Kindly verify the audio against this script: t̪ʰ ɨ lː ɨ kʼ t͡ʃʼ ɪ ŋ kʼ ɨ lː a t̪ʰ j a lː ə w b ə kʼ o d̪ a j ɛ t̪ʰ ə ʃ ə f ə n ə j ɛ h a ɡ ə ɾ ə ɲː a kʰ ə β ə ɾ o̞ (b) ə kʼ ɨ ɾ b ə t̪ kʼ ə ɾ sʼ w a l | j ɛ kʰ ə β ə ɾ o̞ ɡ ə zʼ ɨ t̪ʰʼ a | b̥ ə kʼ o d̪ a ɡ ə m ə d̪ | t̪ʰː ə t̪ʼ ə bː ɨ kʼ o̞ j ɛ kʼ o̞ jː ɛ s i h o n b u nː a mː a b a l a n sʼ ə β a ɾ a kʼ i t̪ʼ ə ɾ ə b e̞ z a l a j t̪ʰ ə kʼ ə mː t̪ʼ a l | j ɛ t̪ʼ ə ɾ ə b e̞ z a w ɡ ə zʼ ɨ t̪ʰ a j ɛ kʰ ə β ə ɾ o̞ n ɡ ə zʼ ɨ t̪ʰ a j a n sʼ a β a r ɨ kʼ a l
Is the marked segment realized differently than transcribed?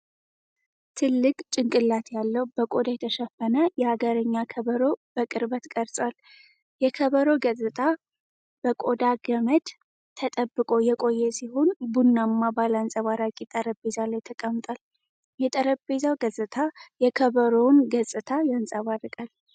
no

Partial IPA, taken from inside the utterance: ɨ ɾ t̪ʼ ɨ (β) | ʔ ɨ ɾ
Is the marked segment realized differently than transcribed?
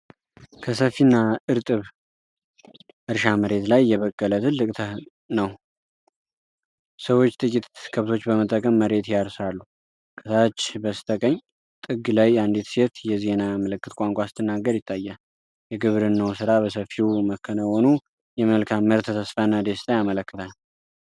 no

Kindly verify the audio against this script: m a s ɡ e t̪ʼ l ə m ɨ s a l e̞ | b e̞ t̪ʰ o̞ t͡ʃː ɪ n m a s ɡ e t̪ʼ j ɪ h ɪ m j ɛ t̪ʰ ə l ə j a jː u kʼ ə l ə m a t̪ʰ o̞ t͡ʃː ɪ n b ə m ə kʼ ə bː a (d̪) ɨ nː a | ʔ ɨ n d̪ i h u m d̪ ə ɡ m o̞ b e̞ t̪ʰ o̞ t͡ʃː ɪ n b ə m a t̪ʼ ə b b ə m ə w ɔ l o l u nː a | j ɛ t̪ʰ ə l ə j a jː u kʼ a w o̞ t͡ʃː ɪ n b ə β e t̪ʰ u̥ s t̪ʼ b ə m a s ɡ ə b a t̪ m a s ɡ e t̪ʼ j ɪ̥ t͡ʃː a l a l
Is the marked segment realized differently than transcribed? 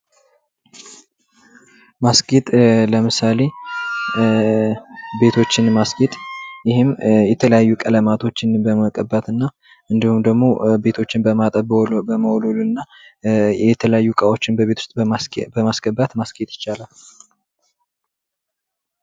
yes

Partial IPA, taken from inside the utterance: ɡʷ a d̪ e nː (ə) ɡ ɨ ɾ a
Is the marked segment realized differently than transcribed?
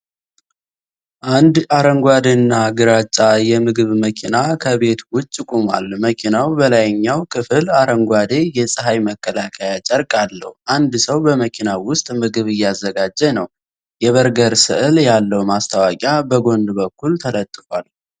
yes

